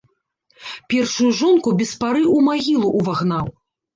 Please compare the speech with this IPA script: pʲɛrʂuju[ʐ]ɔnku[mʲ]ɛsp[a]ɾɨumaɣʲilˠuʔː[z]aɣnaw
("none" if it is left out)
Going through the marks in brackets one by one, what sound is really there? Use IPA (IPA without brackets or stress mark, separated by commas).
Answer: ʐ, bʲ, a, v